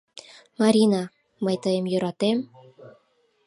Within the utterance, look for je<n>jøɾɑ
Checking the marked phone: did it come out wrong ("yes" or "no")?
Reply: yes